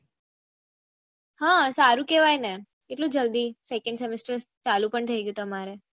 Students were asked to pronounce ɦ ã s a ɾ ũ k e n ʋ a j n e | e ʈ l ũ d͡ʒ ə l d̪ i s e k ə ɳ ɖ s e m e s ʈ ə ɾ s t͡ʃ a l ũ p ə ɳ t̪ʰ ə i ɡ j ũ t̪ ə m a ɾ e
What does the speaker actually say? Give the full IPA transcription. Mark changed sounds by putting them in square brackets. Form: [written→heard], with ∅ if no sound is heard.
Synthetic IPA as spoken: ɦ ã s a ɾ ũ k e [n→∅] ʋ a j n e | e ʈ l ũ d͡ʒ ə l d̪ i s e k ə ɳ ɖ s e m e s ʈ ə ɾ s t͡ʃ a l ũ p ə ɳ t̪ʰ ə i ɡ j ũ t̪ ə m a ɾ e